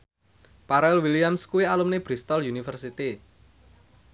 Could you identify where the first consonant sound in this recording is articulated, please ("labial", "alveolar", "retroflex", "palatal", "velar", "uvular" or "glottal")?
labial